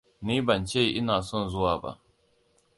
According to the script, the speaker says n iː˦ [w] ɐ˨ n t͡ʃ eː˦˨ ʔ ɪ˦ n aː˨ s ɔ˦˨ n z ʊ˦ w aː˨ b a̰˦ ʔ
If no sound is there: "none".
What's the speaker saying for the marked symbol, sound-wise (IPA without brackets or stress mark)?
b